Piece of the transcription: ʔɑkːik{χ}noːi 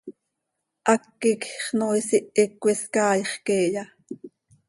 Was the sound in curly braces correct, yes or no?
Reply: yes